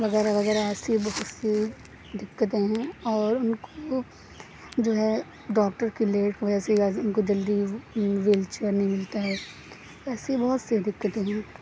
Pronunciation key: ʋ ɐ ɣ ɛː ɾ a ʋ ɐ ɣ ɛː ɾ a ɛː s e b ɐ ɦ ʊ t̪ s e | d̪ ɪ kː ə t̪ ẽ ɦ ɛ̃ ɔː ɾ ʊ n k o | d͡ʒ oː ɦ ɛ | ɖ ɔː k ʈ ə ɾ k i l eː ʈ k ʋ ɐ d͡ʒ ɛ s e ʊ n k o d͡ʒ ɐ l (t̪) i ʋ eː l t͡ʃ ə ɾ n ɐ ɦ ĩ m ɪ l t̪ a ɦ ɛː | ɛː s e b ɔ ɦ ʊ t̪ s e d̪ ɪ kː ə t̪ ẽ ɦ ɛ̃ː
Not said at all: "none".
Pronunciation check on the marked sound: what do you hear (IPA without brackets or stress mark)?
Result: d̪